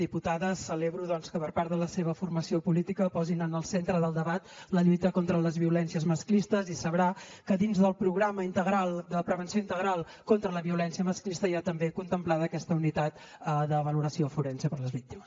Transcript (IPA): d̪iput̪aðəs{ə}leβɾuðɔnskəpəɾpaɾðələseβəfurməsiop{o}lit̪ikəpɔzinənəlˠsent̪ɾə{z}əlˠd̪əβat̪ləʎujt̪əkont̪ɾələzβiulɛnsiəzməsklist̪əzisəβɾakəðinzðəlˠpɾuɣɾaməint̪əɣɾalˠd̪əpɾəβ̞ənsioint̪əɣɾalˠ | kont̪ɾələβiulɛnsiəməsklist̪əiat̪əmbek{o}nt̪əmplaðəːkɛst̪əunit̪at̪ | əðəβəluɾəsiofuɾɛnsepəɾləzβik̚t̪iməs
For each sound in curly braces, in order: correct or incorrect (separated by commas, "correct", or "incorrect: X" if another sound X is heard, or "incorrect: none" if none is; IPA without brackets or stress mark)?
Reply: correct, incorrect: u, incorrect: ð, incorrect: u